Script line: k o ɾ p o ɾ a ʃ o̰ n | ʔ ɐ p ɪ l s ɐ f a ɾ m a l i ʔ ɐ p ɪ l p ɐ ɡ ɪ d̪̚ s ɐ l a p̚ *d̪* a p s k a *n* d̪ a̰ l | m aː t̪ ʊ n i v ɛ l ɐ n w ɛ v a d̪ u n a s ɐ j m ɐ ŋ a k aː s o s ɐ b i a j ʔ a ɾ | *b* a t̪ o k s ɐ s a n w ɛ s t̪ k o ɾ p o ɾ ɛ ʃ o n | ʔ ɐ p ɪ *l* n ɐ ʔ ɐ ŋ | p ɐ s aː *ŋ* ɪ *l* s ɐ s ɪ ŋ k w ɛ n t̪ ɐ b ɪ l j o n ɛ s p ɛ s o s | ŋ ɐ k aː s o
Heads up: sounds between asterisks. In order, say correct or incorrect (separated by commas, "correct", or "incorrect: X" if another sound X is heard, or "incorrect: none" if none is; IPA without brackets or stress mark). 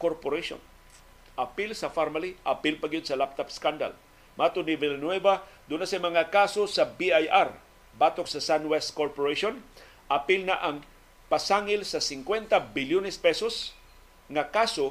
incorrect: t̪, correct, correct, correct, correct, correct